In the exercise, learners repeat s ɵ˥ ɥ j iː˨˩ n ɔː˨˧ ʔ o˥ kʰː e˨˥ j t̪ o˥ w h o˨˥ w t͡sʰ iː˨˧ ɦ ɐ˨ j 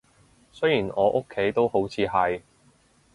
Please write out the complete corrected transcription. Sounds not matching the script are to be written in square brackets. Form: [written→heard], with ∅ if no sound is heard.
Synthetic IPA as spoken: s ɵ˥ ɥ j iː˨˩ n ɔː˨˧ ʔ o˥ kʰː e˨˥ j t̪ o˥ w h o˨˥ w t͡sʰ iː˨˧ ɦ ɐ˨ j